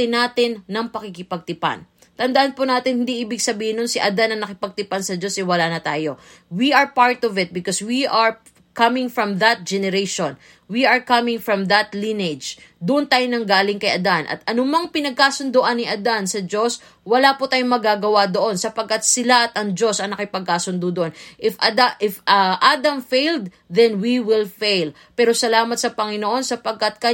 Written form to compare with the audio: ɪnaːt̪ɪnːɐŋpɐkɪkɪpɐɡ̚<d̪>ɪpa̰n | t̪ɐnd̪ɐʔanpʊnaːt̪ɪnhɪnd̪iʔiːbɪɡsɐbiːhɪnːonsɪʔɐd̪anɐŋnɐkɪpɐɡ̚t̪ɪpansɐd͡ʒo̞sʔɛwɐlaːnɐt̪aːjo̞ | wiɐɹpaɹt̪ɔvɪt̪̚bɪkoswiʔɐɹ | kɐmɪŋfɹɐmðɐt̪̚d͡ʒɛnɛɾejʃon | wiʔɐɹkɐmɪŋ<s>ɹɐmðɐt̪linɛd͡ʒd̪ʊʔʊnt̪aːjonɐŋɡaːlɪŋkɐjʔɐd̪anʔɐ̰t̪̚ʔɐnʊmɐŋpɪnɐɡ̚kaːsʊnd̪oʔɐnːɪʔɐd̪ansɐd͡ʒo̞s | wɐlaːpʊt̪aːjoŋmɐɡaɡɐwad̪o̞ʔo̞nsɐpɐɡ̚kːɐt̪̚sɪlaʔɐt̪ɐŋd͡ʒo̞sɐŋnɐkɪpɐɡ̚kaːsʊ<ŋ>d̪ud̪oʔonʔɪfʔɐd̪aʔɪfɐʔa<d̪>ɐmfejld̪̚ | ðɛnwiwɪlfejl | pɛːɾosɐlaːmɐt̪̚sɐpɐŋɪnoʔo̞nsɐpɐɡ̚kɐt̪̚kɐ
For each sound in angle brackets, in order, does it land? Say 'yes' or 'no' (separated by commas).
no, no, no, yes